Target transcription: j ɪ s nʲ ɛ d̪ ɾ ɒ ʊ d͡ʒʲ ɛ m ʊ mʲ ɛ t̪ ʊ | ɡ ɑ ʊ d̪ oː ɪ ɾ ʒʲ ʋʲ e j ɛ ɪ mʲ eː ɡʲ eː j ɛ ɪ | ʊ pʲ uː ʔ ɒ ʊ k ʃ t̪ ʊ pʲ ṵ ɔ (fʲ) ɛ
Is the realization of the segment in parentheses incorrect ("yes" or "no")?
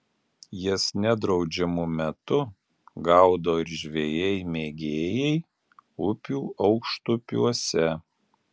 yes